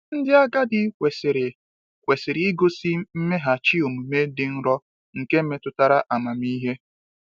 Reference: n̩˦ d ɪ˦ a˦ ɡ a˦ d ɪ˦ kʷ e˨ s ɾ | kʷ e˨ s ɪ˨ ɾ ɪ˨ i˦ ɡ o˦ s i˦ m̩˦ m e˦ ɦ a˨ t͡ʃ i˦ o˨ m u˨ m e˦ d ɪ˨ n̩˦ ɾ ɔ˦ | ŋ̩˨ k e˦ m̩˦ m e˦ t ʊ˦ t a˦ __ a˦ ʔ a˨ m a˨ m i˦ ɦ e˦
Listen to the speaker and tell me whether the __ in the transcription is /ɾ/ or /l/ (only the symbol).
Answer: ɾ